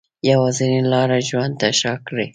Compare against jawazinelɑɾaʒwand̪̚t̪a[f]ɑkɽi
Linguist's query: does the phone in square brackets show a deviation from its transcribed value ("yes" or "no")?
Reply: yes